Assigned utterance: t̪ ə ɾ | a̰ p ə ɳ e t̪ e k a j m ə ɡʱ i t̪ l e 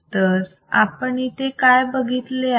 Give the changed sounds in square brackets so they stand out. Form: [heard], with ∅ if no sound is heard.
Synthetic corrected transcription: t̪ ə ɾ | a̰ p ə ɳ [i] t̪ e k a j [b] ə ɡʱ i t̪ l e